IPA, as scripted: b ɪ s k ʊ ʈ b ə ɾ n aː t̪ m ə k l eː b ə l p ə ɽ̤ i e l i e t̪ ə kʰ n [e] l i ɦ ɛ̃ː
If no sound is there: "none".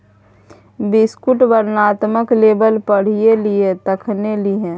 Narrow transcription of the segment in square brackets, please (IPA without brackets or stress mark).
e